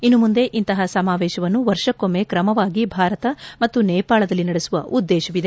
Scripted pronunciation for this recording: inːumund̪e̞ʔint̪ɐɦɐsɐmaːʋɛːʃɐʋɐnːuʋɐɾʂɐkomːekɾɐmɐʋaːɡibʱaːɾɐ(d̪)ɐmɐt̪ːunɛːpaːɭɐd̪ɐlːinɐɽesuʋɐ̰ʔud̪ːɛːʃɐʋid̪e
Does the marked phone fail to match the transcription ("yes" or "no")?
yes